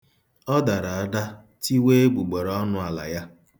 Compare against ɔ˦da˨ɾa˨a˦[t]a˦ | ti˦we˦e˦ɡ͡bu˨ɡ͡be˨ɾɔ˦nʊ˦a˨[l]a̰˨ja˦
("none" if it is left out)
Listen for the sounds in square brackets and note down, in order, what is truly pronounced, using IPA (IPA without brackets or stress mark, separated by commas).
d, l